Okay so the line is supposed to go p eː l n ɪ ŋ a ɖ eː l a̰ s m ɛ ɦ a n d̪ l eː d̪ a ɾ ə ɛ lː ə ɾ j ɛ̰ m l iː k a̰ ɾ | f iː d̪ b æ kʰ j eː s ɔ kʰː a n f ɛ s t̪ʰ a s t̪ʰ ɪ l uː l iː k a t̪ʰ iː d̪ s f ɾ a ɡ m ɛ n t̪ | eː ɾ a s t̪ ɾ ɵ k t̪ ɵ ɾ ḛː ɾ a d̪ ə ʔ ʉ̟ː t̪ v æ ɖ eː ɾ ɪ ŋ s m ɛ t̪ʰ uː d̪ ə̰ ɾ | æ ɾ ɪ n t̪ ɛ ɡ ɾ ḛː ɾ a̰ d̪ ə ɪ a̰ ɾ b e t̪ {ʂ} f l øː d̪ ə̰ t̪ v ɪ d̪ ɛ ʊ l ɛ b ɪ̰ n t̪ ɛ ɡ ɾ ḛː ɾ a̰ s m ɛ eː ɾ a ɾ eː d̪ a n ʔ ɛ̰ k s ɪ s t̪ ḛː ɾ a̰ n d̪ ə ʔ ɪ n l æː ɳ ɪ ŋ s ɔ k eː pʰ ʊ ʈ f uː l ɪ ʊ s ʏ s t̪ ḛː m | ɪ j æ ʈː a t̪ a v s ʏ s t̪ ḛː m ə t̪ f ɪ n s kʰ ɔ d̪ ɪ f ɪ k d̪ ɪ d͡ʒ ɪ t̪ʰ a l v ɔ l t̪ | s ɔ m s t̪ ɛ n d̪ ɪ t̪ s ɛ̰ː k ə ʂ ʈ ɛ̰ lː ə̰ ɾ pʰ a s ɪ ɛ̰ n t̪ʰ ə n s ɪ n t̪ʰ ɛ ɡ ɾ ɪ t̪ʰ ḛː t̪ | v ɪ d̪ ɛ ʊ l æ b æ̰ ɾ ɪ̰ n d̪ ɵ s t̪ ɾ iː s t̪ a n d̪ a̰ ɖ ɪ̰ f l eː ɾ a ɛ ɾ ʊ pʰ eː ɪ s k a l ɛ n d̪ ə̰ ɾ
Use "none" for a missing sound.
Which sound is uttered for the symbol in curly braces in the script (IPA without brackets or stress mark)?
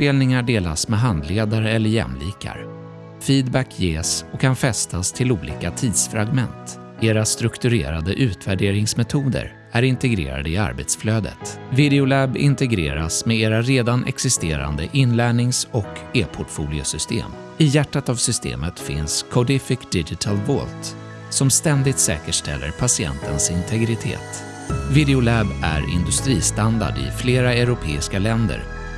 s